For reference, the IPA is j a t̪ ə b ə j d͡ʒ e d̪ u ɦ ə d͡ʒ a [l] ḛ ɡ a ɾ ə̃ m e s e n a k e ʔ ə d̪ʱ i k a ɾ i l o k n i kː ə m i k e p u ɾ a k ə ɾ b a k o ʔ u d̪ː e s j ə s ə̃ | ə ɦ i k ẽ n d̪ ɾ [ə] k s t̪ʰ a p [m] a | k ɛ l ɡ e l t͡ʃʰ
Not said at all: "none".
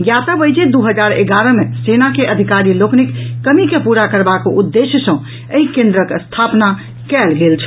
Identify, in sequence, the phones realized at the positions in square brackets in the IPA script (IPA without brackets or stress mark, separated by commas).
ɾ, ə, n